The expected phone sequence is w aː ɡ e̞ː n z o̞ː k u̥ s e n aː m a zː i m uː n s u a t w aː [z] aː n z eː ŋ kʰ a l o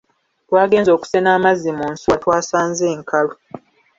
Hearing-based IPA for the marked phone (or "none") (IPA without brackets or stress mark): s